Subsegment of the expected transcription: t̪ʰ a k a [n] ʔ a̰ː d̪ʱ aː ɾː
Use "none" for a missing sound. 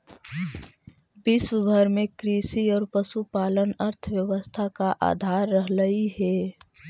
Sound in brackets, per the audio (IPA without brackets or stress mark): none